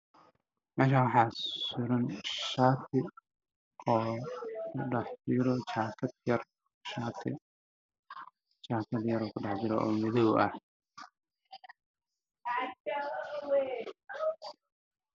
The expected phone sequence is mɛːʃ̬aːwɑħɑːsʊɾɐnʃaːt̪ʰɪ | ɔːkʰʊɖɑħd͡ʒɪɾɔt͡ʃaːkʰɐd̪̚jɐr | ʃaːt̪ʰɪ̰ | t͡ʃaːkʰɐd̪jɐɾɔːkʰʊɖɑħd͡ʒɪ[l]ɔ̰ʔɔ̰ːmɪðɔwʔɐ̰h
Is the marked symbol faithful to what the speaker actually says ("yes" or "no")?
no